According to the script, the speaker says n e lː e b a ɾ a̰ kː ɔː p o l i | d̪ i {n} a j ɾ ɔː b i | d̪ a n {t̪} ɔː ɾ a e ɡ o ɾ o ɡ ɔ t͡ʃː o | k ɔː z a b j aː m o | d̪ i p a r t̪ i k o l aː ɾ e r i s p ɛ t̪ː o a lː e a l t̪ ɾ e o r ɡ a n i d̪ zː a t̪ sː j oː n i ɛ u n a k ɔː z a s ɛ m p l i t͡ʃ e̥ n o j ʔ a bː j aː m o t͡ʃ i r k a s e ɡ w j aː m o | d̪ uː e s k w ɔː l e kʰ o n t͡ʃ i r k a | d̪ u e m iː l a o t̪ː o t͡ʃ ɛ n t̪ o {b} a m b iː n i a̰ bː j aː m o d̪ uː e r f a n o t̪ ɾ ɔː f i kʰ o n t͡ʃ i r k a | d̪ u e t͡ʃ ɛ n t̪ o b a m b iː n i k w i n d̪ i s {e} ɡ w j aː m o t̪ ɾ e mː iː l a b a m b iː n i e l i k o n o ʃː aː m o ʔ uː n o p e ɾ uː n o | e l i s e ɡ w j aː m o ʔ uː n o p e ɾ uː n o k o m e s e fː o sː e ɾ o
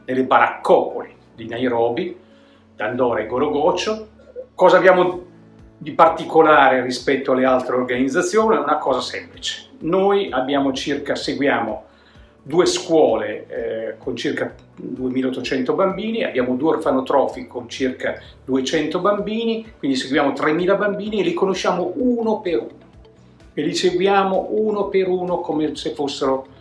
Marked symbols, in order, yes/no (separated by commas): yes, no, yes, yes